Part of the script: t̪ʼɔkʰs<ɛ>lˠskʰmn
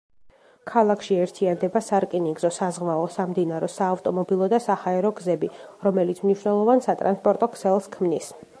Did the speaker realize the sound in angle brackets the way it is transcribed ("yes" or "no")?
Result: yes